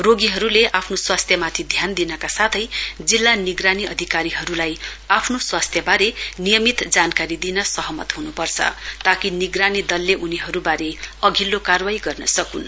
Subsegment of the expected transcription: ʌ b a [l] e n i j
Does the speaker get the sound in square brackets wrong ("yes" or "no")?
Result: yes